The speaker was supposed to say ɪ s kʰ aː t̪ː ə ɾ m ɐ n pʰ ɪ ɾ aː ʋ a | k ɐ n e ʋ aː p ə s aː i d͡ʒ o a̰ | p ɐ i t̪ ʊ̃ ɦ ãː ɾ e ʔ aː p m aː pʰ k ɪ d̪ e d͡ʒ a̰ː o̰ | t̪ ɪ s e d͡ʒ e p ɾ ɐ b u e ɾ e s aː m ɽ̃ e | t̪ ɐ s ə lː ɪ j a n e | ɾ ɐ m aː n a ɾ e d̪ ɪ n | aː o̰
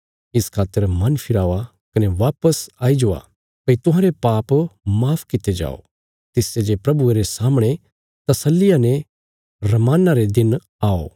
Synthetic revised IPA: ɪ s kʰ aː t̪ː ə ɾ m ɐ n pʰ ɪ ɾ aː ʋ a | k ɐ n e ʋ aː p ə s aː i d͡ʒ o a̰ | p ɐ i t̪ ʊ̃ ɦ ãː ɾ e p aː p m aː pʰ k ɪ t̪ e d͡ʒ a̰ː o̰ | t̪ ɪ s e d͡ʒ e p ɾ ɐ b u e ɾ e s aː m ɽ̃ e | t̪ ɐ s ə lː ɪ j a n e | ɾ ɐ m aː n a ɾ e d̪ ɪ n | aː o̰